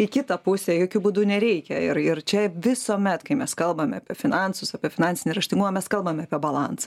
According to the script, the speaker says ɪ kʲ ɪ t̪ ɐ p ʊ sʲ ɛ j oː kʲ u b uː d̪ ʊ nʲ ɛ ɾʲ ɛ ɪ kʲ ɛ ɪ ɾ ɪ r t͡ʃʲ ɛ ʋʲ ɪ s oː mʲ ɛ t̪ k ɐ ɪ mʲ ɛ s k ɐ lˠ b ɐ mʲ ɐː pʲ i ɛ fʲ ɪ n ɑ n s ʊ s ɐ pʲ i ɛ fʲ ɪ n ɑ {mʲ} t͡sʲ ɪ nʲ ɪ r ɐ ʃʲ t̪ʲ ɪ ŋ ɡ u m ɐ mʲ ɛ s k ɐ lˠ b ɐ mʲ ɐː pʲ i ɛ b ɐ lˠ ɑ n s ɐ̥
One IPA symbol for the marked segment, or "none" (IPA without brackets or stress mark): nʲ